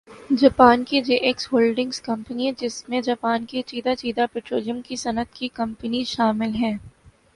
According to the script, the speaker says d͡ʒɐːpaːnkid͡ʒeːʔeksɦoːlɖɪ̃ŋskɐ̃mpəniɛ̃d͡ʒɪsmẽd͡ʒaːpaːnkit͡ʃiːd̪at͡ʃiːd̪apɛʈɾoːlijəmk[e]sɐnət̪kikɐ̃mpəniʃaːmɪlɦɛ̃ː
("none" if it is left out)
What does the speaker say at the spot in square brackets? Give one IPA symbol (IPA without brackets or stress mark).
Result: i